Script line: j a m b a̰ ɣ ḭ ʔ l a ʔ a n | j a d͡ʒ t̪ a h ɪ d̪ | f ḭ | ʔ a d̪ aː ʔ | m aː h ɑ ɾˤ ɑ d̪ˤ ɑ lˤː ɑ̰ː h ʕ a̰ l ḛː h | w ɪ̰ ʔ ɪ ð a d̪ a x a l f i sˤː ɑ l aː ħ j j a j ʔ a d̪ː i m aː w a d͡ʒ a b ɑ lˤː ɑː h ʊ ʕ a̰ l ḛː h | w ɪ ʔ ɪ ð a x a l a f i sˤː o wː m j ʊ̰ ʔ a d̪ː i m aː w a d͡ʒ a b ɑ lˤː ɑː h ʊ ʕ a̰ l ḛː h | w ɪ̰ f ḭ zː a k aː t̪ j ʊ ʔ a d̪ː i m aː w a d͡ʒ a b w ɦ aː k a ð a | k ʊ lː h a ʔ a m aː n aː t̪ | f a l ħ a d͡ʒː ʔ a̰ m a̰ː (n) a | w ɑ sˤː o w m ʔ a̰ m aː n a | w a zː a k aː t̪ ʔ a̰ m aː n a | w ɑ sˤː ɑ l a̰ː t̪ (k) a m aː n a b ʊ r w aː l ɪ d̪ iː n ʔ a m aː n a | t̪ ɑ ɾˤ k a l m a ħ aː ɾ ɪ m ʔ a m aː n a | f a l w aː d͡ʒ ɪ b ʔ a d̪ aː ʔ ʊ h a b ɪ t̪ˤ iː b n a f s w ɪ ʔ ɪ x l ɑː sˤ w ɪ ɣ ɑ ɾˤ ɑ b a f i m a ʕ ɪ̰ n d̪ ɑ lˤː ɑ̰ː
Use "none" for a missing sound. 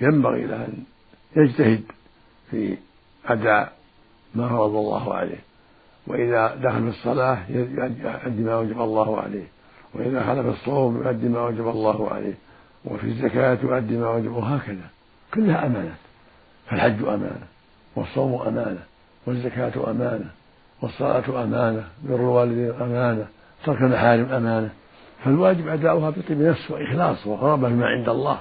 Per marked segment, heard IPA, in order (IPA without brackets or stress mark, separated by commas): n, ʔ